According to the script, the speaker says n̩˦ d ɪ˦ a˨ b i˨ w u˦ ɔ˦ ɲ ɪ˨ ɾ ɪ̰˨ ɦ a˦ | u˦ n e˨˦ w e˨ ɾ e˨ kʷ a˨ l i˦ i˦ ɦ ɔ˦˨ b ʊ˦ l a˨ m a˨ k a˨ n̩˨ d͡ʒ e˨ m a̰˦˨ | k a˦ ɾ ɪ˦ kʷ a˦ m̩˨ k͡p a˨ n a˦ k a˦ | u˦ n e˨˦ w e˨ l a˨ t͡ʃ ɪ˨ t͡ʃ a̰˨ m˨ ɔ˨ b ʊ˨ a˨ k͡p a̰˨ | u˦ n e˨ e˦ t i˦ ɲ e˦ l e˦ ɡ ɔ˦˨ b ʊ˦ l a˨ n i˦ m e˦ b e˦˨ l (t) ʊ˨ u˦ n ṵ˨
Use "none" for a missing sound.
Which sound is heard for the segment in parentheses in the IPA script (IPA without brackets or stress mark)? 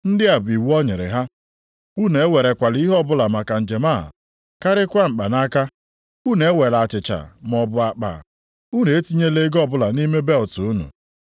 t